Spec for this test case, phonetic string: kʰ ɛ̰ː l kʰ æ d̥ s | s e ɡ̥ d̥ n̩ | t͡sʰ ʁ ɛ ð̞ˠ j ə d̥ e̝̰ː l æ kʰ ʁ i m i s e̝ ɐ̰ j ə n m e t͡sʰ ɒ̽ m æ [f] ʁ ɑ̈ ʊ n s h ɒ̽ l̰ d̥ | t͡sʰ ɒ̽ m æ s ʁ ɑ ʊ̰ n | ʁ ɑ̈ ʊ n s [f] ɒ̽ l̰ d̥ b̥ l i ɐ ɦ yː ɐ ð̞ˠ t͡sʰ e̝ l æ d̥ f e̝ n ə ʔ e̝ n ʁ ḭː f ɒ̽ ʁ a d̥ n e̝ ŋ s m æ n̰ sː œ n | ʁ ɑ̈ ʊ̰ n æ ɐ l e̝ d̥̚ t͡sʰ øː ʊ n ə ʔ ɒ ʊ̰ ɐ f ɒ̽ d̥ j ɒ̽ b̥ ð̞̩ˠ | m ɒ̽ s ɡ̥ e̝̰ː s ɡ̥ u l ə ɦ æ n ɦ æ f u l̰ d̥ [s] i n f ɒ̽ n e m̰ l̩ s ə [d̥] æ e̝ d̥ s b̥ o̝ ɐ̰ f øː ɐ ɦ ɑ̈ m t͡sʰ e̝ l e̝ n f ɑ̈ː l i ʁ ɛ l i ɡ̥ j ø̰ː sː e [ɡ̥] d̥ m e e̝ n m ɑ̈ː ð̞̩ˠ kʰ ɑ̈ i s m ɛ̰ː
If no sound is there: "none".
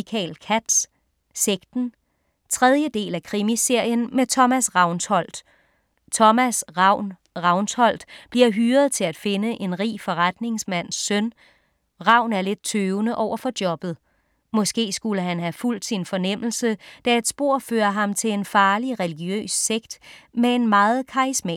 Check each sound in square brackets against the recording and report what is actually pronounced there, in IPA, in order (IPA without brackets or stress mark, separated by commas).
s, h, s, d̥, ɡ̥